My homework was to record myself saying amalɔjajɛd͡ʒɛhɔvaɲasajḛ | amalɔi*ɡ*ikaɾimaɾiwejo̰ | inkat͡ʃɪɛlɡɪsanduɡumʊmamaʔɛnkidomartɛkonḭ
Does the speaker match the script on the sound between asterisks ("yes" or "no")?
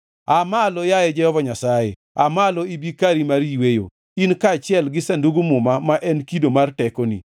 no